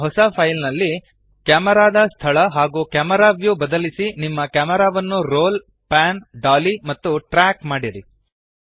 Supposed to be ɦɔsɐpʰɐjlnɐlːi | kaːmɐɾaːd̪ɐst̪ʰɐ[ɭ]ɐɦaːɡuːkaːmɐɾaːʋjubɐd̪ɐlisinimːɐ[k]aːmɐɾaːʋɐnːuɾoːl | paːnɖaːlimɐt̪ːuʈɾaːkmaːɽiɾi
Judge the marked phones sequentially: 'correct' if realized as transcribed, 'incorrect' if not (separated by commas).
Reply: correct, correct